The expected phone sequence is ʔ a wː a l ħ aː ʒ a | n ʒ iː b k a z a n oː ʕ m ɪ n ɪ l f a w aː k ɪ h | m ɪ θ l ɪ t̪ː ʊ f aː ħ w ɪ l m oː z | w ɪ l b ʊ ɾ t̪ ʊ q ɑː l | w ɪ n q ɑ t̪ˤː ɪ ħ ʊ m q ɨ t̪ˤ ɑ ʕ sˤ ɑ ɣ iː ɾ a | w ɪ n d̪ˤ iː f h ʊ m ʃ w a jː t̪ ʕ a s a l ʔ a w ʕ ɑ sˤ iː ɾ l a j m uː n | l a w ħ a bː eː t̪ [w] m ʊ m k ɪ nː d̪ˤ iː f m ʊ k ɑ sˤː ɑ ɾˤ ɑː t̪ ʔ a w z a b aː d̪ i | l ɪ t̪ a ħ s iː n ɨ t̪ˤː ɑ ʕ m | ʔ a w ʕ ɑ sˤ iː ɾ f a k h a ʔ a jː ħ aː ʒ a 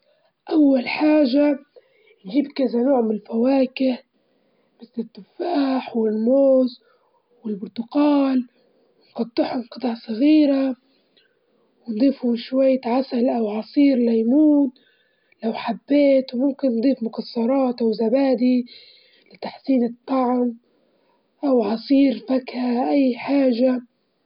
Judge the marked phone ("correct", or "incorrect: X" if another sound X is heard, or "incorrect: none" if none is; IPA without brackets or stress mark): correct